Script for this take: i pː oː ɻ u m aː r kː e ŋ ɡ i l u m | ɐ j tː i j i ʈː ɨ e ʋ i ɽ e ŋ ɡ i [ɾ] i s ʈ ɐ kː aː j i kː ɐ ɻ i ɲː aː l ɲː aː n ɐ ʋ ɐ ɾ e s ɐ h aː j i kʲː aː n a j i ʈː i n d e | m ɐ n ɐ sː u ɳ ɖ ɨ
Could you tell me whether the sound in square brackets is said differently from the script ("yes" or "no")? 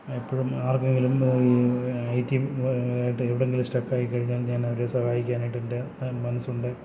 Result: yes